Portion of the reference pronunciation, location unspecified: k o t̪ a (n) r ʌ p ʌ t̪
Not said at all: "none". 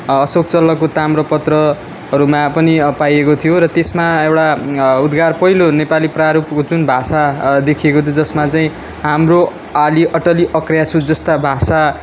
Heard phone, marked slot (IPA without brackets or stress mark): m